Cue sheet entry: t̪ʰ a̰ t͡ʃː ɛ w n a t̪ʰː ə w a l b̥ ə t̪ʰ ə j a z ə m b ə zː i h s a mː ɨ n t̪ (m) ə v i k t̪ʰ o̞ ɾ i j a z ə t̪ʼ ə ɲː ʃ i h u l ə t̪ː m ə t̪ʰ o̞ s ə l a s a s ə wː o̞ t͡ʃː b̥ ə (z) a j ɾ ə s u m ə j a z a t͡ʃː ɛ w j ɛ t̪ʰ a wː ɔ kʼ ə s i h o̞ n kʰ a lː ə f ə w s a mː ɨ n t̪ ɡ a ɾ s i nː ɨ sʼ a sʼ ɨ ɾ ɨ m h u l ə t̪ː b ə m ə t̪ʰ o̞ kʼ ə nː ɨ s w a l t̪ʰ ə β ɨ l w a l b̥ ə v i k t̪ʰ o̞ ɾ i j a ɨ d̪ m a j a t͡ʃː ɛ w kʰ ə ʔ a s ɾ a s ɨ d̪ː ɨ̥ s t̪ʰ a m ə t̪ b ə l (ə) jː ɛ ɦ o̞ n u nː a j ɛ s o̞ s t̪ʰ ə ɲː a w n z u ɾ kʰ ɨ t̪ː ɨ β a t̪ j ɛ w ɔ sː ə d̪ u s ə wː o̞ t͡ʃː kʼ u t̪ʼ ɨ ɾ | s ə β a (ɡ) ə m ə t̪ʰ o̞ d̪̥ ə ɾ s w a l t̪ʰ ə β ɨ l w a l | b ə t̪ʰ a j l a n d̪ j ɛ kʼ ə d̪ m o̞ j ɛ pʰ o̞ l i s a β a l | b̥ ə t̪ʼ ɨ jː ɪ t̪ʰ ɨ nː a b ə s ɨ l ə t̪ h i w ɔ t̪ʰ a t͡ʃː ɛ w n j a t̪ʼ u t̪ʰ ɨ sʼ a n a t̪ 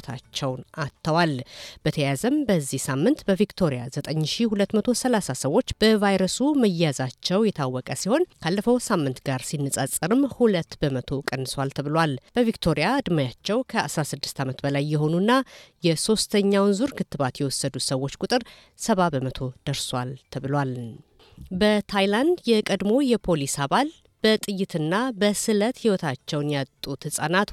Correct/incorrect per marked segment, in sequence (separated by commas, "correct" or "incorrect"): incorrect, incorrect, incorrect, incorrect